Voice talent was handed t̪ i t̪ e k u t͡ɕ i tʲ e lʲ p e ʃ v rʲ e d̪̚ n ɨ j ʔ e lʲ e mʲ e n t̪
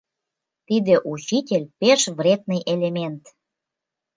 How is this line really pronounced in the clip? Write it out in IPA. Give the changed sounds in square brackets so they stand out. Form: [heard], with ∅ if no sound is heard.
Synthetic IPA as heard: t̪ i [d̪] e [ʔ] u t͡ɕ i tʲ e lʲ p e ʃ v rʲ e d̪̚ n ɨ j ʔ e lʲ e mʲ e n t̪